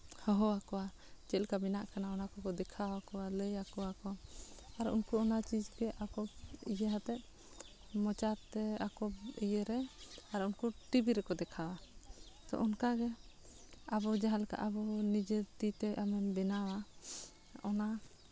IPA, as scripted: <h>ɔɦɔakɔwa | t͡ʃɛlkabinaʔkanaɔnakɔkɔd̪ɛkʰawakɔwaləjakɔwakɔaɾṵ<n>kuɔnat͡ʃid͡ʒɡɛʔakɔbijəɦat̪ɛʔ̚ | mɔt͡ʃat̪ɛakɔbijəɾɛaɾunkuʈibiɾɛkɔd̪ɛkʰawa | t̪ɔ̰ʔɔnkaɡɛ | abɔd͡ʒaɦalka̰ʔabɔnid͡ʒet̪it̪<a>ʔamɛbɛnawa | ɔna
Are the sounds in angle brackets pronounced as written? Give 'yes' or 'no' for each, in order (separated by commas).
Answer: yes, yes, no